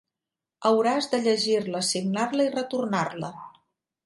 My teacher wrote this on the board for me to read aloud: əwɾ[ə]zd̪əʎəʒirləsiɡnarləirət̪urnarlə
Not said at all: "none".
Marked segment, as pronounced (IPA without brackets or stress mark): a